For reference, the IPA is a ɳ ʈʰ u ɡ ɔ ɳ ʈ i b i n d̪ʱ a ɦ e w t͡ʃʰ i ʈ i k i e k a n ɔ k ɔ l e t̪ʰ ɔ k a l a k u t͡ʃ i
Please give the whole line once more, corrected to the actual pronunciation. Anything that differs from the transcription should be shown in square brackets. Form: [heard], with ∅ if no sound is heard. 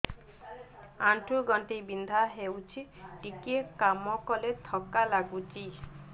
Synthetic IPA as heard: a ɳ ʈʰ u ɡ ɔ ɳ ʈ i b i n d̪ʱ a ɦ e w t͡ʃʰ i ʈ i k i e k a [m] ɔ k ɔ l e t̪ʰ ɔ k a l a [ɡ] u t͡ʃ i